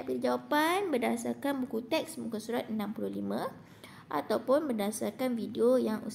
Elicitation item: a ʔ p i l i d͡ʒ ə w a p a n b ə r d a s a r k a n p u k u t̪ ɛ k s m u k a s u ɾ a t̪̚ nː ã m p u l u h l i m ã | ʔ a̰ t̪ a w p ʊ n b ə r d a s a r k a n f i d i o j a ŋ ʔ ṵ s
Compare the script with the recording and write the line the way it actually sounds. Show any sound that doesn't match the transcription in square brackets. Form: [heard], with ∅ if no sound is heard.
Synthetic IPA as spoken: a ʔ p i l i d͡ʒ [a] w a p a n b ə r d a s a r k a n [b] u k u t̪ ɛ k s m u k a s u ɾ a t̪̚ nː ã m p u l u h l i m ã | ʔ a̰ t̪ a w p ʊ n b ə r d a s a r k a n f i d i o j a ŋ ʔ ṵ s